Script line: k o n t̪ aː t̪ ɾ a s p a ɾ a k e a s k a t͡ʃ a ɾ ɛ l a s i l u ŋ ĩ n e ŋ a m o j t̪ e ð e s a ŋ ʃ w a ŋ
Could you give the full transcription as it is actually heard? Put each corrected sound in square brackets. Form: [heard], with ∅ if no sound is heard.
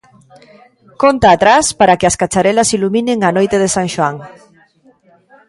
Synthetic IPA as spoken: k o n t̪ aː t̪ ɾ a s p a ɾ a k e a s k a t͡ʃ a ɾ ɛ l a s i l u [m] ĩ n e ŋ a [n] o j t̪ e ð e s a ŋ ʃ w a ŋ